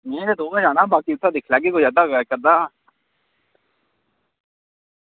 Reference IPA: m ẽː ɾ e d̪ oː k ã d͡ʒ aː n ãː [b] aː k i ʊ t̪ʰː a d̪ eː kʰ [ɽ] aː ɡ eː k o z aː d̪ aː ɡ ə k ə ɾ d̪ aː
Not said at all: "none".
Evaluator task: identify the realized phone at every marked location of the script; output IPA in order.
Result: b, l

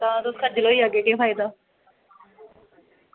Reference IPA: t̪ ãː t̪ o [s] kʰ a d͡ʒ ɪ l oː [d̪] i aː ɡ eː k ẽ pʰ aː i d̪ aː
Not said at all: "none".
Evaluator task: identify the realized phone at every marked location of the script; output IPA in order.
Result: s, none

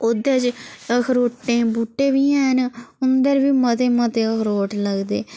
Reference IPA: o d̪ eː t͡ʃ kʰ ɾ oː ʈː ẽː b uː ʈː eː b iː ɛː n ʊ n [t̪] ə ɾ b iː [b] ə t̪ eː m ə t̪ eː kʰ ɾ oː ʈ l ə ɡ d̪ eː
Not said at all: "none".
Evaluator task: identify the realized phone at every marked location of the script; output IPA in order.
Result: d̪, m

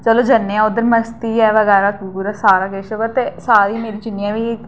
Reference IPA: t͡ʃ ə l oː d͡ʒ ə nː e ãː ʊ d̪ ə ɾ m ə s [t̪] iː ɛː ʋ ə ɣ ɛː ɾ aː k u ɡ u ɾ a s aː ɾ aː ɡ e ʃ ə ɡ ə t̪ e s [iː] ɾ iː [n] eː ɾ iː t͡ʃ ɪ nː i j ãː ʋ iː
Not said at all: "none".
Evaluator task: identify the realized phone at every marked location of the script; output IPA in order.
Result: t̪, aː, m

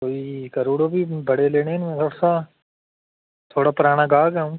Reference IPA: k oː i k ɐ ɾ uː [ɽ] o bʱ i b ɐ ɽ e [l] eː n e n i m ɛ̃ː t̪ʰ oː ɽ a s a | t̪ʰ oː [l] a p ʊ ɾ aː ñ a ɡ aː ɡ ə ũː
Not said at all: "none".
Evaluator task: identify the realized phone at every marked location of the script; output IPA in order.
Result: ɽ, l, ɽ

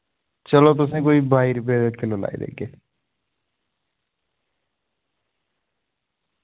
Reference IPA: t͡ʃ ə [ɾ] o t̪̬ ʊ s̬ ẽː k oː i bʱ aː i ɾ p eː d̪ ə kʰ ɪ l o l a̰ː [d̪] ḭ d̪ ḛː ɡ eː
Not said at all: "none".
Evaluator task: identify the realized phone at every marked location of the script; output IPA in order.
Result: l, none

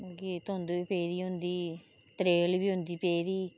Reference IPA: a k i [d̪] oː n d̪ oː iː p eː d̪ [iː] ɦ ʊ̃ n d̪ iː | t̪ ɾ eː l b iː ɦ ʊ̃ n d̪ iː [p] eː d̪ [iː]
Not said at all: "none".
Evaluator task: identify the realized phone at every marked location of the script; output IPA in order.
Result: t̪, iː, p, iː

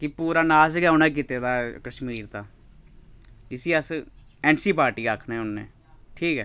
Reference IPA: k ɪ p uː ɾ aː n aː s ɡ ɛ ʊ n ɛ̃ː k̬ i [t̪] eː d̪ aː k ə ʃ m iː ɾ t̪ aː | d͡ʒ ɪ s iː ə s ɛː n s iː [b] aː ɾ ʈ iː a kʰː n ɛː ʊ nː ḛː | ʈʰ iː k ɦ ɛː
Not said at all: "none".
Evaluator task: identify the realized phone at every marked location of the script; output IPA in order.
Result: t̪, p

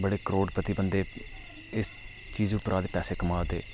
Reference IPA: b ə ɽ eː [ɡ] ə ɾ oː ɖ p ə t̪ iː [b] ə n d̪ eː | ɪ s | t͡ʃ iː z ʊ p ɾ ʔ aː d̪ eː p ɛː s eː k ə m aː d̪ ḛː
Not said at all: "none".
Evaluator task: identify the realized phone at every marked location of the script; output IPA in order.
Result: k, b

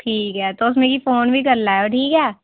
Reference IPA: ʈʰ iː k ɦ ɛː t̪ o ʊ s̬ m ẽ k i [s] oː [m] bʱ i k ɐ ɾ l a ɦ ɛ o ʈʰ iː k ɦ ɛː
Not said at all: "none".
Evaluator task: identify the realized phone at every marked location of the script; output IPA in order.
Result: f, n

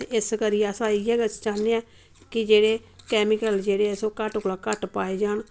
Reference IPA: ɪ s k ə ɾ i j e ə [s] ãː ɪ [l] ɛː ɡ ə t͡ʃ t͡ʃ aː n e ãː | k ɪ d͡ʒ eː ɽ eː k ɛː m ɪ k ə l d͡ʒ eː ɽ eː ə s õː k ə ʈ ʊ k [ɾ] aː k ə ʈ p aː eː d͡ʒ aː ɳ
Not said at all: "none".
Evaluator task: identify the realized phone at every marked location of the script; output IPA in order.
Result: s, none, l

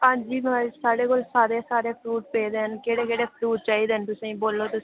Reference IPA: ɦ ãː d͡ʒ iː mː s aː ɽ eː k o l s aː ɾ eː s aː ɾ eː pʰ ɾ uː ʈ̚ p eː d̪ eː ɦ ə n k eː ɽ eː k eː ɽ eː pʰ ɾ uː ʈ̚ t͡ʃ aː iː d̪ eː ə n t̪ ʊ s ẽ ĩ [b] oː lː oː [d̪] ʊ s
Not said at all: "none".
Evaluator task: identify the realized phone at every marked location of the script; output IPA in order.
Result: b, t̪

